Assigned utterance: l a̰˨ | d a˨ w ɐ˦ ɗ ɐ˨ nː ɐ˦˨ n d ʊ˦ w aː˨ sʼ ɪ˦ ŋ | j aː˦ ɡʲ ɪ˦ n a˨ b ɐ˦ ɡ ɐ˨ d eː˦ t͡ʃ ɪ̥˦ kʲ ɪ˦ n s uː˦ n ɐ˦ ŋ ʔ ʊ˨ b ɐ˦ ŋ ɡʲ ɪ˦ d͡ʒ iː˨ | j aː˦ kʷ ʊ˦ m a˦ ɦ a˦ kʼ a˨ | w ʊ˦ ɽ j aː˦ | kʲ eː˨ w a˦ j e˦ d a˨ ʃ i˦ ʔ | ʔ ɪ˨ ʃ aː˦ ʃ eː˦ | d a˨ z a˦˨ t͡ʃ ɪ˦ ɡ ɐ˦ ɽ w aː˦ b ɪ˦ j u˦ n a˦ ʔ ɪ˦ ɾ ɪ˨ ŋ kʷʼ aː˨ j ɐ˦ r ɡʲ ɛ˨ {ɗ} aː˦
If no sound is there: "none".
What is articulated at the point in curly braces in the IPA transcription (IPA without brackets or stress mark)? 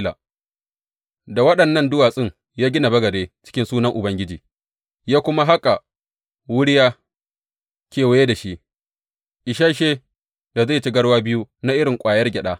ɗ